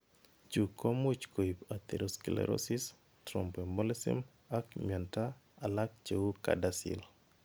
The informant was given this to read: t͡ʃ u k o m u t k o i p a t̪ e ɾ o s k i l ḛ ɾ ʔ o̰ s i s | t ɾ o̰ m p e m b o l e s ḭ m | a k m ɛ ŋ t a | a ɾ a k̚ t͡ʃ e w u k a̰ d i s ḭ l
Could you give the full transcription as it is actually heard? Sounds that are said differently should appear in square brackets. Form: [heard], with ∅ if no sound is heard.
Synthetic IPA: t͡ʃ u k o m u [t͡ʃ] k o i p a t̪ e ɾ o s k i l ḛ ɾ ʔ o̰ s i s | t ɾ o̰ m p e m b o l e s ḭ m | a k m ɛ [n] t a | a [l] a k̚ t͡ʃ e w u k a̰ d [a] s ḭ l